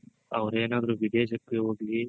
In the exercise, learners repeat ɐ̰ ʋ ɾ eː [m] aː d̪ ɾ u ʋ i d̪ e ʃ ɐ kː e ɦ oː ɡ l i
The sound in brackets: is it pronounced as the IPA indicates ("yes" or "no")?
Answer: no